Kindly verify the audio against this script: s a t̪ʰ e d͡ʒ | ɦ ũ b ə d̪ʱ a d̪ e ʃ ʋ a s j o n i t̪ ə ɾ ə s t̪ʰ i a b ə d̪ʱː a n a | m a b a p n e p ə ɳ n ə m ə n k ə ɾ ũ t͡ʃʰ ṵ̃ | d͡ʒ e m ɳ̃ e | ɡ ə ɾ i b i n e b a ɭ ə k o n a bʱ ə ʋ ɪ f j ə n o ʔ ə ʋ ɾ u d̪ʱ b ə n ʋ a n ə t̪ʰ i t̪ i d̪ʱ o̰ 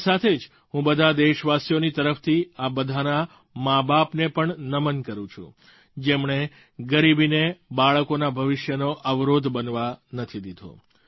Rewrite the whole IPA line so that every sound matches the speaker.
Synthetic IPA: s a t̪ʰ e d͡ʒ | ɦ ũ b ə d̪ʱ a d̪ e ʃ ʋ a s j o n i t̪ ə ɾ ə f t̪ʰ i a b ə d̪ʱ a n a | m a b a p n e p ə ɳ n ə m ə n k ə ɾ ũ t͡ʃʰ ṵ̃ | d͡ʒ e m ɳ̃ e | ɡ ə ɾ i b i n e b a ɭ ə k o n a bʱ ə ʋ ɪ ʃ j ə n o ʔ ə ʋ ɾ o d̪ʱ b ə n ʋ a n ə t̪ʰ i d̪ i d̪ʱ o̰

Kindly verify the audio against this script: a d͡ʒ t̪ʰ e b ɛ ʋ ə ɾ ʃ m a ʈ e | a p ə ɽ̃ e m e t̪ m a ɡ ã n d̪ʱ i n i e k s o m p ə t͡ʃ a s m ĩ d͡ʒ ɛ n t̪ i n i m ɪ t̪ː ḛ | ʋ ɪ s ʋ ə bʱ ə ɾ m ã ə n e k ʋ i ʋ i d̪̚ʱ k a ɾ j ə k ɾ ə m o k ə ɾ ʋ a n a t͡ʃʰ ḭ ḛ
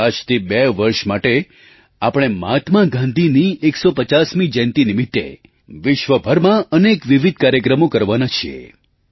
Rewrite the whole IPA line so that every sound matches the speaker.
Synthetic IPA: a d͡ʒ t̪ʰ i b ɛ ʋ ə ɾ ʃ m a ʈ e | a p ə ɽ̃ e m a t̪ m a ɡ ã n d̪ʱ i n i e k s o p ə t͡ʃ a s m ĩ d͡ʒ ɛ n t̪ i n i m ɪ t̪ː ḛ | ʋ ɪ ʃ ʋ ə bʱ ə ɾ m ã ə n e k ʋ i ʋ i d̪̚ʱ k a ɾ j ə k ɾ ə m o k ə ɾ ʋ a n a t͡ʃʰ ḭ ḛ

